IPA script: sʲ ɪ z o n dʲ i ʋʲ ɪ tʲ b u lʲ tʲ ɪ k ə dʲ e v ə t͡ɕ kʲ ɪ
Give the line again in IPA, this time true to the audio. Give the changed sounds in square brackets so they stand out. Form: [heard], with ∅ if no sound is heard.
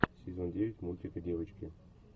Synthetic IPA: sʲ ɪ z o n dʲ [e] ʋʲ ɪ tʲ [m] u lʲ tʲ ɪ k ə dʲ e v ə t͡ɕ kʲ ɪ